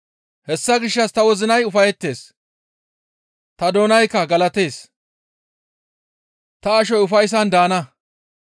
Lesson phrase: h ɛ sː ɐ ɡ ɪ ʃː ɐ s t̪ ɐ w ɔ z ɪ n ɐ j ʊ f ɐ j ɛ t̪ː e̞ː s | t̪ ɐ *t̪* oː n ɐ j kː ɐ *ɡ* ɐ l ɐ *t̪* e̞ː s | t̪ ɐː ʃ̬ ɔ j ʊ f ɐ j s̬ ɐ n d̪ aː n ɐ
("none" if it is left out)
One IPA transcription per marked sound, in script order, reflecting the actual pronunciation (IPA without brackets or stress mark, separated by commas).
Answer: d̪, ɡ, t̪